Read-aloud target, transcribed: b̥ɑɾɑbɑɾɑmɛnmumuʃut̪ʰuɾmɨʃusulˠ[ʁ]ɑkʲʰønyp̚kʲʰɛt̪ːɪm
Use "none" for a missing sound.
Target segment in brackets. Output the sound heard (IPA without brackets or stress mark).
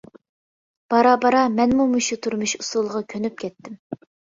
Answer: ʁ